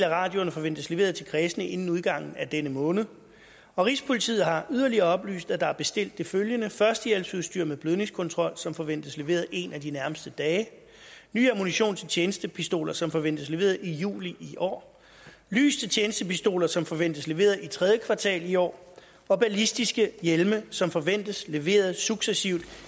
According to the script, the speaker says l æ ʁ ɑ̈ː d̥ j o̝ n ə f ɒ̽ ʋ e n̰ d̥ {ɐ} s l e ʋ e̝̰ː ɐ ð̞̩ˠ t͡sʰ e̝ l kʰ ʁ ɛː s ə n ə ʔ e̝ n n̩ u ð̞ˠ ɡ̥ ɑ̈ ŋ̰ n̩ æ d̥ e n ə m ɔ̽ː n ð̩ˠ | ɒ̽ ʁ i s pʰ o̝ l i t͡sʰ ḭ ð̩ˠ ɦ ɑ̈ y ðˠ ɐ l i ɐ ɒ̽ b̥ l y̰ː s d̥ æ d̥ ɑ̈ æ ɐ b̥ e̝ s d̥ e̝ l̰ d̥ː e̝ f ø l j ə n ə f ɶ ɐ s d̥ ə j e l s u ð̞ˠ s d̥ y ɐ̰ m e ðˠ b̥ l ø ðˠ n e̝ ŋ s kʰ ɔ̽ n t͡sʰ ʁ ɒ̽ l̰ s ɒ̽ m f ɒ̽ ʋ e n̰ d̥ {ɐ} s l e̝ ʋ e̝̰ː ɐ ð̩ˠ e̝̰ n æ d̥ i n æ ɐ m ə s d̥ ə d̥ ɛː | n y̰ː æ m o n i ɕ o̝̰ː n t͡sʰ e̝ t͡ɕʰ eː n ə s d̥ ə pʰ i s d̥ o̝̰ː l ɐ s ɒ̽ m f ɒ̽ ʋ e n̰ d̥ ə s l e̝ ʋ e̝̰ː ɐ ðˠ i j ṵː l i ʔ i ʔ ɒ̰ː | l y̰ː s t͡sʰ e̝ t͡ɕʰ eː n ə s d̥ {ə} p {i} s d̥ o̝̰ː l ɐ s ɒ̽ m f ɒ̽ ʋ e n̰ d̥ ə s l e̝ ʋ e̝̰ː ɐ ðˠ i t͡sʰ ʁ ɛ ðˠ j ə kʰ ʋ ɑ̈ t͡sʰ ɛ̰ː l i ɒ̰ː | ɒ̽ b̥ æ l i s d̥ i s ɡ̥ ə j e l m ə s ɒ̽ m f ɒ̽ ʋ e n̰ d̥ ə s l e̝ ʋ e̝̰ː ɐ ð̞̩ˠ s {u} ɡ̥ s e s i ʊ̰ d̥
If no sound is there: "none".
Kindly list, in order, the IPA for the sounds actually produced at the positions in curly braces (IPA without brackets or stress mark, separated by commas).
ə, ə, ə, i, u